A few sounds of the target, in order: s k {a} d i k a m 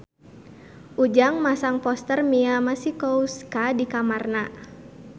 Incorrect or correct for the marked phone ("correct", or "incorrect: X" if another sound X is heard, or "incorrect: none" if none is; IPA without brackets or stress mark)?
correct